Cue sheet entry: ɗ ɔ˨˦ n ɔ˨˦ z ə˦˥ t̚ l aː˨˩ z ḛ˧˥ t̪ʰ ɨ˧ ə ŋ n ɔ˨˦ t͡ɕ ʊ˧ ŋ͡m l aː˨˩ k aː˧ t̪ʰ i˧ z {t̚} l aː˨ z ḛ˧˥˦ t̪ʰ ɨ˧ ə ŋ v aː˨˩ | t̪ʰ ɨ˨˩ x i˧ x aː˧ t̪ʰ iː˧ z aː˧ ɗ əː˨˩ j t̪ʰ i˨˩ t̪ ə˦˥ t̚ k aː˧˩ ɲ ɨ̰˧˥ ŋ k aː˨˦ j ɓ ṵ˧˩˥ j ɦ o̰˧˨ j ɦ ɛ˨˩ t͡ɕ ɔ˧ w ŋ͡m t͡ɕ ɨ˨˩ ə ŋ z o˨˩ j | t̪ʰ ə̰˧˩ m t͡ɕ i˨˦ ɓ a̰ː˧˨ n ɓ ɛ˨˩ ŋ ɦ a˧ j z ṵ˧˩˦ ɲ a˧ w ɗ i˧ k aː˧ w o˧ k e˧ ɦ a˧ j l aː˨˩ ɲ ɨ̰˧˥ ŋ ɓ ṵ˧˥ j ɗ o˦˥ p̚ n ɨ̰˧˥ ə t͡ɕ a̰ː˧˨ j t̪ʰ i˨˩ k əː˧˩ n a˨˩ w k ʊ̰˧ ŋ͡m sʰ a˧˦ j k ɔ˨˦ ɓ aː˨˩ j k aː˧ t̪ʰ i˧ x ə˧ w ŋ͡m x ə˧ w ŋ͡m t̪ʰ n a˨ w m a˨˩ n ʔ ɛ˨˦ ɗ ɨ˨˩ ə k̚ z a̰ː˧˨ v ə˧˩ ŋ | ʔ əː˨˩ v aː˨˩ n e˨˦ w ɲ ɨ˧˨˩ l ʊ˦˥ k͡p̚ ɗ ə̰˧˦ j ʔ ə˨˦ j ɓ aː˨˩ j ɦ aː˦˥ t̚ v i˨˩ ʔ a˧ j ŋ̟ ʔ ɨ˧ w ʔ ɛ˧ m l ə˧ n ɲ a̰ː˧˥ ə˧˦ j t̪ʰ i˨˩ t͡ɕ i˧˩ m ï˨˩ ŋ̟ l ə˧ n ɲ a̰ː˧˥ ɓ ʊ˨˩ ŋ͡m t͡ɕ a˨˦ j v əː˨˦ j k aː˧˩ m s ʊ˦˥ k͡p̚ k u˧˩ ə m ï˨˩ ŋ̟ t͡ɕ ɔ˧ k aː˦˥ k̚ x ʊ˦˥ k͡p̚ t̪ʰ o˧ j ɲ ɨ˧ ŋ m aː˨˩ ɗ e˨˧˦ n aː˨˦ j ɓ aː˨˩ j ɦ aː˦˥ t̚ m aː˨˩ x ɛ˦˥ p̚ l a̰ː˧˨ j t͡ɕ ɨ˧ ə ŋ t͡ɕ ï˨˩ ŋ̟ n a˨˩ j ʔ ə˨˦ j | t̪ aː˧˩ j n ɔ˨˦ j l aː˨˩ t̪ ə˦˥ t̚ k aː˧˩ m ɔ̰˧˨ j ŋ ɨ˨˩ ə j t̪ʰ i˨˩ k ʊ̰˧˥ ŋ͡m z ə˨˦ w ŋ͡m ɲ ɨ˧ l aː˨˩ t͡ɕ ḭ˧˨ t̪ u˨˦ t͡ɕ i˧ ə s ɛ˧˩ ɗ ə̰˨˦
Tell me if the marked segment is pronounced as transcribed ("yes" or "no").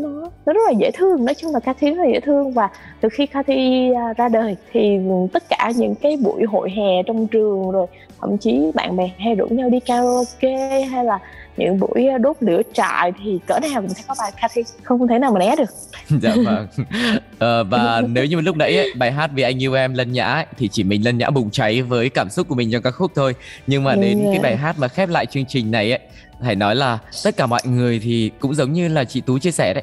yes